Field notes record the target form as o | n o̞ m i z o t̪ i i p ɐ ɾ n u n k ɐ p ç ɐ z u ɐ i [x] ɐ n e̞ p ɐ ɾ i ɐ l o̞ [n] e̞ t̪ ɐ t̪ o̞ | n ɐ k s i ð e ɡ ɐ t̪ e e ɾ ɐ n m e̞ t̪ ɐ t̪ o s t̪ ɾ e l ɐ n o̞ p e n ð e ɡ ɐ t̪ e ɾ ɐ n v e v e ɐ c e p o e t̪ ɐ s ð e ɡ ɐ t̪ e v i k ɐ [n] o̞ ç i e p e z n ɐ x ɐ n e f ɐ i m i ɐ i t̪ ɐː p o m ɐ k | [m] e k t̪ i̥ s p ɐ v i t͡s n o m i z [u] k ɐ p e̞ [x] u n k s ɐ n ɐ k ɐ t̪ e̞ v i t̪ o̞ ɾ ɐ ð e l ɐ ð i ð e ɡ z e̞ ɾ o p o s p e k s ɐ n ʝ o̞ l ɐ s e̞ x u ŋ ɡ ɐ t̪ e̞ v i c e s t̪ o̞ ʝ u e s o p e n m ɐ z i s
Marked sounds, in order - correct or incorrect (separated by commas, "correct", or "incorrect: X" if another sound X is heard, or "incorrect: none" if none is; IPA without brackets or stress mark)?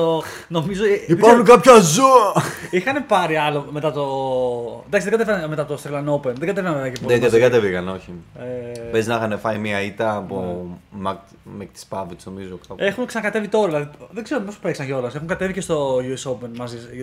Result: correct, incorrect: m, correct, correct, incorrect: o, correct